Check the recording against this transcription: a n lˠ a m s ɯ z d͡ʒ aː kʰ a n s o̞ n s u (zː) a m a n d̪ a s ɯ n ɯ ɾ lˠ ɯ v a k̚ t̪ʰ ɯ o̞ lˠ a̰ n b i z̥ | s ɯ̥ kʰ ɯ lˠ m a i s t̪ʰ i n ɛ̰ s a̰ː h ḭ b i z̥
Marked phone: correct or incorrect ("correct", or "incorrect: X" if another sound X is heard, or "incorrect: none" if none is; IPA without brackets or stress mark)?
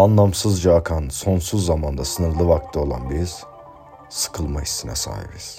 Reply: correct